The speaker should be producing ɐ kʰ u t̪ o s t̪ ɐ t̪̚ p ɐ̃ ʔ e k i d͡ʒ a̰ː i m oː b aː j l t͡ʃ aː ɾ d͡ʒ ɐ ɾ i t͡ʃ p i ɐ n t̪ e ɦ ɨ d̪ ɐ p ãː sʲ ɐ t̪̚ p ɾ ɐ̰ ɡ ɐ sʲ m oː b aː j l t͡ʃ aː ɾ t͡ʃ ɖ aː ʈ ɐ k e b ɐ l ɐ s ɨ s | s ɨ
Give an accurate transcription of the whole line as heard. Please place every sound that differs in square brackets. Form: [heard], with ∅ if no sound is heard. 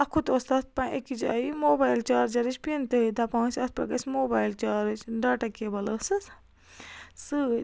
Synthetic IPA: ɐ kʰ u t̪ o s t̪ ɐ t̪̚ p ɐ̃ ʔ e k i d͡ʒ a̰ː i m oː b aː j l t͡ʃ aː ɾ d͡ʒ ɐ ɾ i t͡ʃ p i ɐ n t̪ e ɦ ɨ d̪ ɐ p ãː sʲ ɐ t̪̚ p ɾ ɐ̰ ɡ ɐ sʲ m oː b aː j l t͡ʃ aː ɾ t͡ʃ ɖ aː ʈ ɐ k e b ɐ l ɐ s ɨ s | s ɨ